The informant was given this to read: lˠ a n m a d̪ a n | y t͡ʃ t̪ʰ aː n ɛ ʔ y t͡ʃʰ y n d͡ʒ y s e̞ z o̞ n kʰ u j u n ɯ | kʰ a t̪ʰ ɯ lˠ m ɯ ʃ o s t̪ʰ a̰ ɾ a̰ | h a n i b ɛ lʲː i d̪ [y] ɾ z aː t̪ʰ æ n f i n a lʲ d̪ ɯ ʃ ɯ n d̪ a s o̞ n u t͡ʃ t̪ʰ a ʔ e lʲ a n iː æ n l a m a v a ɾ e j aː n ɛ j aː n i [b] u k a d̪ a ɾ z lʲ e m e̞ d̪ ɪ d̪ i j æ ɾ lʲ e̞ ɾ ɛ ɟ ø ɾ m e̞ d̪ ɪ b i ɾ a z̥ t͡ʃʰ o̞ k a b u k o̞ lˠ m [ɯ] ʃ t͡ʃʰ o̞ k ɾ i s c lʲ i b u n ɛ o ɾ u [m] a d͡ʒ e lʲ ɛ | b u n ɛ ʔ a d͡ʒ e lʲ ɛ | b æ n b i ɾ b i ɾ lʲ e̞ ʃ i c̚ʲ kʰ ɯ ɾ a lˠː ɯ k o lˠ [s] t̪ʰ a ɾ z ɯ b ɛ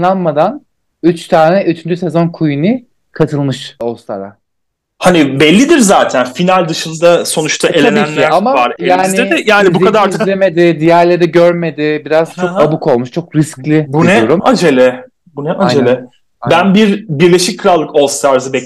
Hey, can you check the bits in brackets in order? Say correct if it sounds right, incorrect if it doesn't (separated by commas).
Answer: incorrect, correct, incorrect, correct, correct